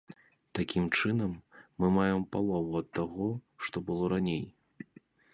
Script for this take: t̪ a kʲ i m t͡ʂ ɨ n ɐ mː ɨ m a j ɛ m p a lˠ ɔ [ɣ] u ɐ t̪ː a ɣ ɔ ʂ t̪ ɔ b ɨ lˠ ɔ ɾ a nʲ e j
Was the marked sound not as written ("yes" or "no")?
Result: yes